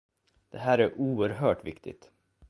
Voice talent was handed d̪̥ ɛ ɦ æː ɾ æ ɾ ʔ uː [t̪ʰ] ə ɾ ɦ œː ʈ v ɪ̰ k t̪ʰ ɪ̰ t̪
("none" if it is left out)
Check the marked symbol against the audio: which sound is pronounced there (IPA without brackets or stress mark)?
none